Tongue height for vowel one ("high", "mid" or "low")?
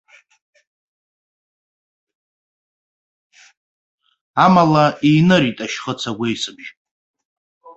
low